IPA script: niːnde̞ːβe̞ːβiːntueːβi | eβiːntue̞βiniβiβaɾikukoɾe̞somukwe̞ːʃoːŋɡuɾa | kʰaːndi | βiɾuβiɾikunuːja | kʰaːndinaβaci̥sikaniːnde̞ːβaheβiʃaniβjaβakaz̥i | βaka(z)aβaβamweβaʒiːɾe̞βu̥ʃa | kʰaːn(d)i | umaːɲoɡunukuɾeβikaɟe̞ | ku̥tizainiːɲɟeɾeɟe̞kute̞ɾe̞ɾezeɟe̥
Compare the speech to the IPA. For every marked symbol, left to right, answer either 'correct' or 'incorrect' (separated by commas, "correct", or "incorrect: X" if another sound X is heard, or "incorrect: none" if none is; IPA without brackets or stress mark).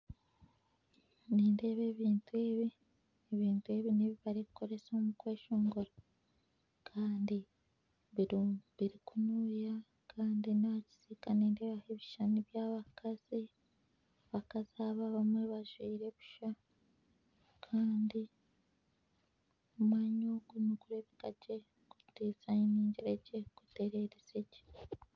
correct, correct